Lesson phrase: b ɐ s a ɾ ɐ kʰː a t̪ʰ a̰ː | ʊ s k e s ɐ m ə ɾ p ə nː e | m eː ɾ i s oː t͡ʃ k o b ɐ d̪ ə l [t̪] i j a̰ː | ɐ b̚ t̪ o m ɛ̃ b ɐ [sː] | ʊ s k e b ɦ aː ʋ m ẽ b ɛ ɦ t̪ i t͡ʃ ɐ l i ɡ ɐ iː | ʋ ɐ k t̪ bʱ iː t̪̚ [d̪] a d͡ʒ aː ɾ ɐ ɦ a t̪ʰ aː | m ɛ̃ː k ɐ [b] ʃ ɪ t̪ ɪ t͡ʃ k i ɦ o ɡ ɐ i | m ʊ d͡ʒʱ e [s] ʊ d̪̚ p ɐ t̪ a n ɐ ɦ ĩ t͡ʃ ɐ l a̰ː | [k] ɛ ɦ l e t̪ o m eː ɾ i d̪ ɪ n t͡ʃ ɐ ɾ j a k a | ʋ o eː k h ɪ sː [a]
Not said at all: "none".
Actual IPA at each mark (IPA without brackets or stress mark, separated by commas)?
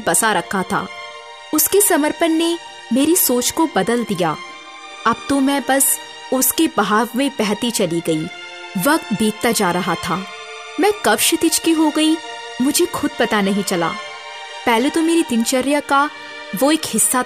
d̪, s, t̪, b, x, p, a